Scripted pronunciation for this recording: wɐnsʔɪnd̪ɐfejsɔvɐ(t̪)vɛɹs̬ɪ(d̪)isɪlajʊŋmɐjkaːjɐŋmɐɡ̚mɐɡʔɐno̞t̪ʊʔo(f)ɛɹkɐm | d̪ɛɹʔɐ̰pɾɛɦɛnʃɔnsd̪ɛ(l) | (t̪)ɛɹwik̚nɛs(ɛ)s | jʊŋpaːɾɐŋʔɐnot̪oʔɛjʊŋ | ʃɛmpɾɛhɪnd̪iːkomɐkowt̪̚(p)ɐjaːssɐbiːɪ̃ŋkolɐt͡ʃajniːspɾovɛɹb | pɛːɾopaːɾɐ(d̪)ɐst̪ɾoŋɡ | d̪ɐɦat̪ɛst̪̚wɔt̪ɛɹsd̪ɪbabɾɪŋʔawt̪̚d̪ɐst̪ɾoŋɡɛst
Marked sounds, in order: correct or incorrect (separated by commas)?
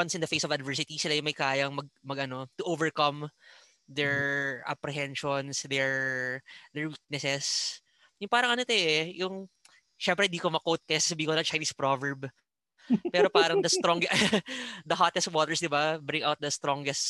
incorrect, incorrect, incorrect, incorrect, incorrect, correct, incorrect, correct